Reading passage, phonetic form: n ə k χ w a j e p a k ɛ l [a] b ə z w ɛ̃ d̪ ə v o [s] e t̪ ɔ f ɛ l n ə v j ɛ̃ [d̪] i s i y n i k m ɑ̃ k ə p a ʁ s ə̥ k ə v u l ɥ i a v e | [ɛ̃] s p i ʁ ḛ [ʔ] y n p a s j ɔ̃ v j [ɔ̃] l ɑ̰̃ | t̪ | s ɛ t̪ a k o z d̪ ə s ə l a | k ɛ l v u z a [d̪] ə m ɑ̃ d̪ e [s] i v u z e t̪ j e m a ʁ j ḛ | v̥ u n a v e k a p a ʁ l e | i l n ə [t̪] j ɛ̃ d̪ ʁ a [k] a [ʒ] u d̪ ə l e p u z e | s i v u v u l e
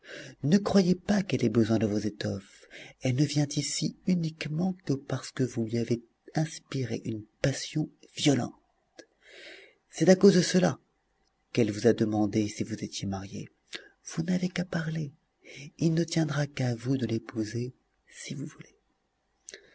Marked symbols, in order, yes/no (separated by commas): no, no, no, yes, yes, no, yes, yes, yes, yes, no